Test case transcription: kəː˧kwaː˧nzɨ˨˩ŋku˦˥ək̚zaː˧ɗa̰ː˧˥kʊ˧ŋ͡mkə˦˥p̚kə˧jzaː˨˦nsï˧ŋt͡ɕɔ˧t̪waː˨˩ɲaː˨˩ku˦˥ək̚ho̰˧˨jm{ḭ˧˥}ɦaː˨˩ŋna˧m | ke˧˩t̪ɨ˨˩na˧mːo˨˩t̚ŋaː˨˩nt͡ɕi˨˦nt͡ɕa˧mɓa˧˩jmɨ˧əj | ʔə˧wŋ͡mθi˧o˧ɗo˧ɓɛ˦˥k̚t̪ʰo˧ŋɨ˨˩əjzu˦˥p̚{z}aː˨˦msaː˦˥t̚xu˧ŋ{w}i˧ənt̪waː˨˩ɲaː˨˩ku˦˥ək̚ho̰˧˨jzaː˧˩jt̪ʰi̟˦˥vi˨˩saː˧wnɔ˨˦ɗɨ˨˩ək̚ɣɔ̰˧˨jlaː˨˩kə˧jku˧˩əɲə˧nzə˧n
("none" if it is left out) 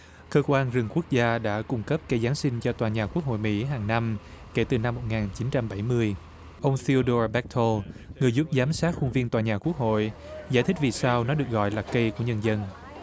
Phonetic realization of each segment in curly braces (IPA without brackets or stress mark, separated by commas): ḭ˧˥, z, v